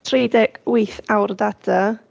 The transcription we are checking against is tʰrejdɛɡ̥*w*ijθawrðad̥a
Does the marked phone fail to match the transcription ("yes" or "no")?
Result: no